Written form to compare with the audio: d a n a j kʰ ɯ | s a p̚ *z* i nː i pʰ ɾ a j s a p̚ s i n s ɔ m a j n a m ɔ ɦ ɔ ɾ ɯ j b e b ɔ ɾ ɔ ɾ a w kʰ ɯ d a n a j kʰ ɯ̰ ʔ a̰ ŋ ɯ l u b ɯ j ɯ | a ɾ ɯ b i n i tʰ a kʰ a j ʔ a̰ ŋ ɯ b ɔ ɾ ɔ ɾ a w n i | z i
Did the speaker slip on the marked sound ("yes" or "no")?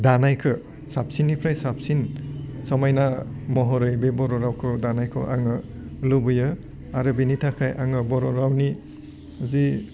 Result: yes